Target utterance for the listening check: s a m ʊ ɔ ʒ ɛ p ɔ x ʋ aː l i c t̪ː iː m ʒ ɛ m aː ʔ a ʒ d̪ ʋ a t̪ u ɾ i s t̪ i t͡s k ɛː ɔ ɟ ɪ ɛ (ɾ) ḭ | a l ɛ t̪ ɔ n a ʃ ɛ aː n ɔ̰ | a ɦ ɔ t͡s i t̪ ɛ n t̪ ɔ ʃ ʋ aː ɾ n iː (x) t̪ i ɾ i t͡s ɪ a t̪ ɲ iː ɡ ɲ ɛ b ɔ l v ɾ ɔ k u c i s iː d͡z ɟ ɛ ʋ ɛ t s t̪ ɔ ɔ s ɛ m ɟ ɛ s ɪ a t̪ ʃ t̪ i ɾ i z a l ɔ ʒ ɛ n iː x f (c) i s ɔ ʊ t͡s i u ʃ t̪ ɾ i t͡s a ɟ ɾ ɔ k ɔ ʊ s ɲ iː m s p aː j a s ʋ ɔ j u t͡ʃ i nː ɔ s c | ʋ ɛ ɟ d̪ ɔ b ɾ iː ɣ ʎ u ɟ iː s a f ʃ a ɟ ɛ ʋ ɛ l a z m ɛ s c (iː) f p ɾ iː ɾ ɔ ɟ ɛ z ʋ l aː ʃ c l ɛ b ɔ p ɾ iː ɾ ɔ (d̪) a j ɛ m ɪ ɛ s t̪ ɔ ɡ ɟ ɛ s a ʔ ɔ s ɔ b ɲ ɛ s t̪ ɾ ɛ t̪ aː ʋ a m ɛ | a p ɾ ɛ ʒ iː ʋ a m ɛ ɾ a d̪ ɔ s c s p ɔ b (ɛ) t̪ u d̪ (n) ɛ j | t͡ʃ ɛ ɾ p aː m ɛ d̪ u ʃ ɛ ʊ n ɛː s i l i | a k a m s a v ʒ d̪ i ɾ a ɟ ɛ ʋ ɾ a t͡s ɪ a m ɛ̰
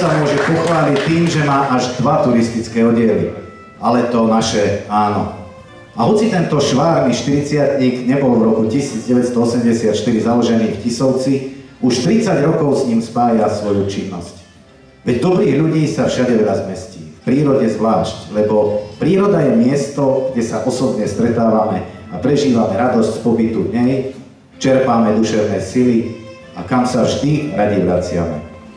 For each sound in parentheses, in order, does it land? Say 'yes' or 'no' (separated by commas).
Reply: no, no, yes, yes, yes, no, no